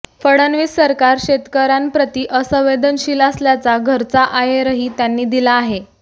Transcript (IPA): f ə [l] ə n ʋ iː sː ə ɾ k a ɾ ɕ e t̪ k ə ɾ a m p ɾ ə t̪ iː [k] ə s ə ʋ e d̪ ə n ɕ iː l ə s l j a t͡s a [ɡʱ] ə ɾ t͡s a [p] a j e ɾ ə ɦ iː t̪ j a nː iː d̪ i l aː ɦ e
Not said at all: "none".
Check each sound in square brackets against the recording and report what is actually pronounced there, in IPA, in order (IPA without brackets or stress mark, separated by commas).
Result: ɽ, ʔ, ɡʱ, ʔ